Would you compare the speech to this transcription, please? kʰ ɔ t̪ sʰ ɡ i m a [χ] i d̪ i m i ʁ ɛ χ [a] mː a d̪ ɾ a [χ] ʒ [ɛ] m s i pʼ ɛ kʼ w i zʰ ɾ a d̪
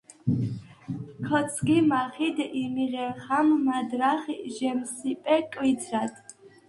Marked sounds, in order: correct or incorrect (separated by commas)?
correct, correct, correct, correct